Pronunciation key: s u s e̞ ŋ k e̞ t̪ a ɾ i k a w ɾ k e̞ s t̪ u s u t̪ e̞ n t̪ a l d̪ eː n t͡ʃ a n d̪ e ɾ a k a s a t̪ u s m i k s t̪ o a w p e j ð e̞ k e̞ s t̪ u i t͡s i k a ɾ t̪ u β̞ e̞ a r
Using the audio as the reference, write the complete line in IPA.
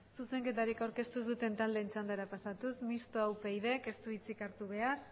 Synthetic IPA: s u s e̞ ŋ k e̞ t̪ a ɾ i k a w ɾ k e̞ s t̪ u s u t̪ e̞ n t̪ a l d̪ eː n t͡ʃ a n d̪ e ɾ a p a s a t̪ u s m i s t̪ o a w p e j ð e̞ k e̞ s t̪ u i t͡s i k a ɾ t̪ u β̞ e̞ a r